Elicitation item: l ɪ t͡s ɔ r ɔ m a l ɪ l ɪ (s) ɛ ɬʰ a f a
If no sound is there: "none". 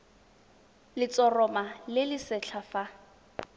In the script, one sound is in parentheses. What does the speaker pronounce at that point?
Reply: s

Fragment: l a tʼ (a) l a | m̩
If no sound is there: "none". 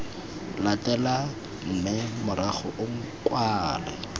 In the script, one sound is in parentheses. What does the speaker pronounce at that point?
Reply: ɛ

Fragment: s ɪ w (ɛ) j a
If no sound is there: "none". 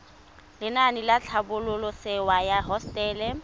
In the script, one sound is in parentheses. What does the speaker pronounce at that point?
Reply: a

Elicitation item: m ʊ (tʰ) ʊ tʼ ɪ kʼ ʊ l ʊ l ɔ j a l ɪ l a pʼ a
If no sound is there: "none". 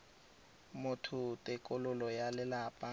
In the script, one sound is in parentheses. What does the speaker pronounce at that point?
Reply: tʰ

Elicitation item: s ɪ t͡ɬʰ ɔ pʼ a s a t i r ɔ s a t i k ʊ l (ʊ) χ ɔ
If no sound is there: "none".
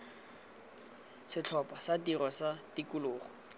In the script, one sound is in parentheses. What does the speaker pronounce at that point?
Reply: ʊː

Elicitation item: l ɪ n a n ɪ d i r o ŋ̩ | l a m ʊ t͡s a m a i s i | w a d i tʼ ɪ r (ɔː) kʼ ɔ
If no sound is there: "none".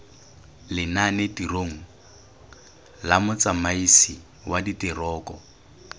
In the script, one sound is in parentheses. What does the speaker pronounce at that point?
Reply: ɔː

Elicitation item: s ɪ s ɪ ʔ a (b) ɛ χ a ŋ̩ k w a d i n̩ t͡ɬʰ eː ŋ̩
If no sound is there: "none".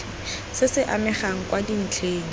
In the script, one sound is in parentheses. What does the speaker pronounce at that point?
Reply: m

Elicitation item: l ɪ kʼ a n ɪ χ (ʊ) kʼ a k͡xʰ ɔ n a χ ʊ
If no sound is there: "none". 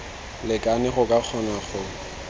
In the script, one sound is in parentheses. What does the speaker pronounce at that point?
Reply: ʊ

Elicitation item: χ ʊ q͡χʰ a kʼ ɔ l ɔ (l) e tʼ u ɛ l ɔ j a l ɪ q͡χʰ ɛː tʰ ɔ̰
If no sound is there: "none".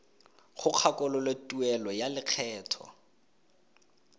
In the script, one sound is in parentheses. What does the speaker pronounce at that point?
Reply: l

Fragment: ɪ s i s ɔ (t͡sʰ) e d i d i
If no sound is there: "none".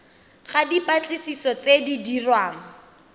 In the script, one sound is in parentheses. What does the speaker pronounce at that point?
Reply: t͡s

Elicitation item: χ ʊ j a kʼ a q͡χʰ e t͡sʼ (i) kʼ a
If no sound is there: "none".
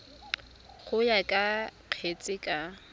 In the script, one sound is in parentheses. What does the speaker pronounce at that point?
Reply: ɪ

